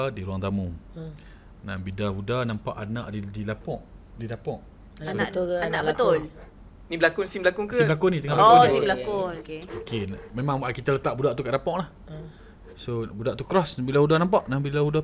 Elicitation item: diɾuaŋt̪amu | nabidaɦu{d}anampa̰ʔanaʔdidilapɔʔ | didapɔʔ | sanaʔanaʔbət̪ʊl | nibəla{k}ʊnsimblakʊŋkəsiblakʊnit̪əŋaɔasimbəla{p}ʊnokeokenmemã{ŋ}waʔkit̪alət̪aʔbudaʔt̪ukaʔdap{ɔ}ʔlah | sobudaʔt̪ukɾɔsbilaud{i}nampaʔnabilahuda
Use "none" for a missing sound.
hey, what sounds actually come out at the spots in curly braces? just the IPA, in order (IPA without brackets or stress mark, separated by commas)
d, k, k, ŋ, ɔ, a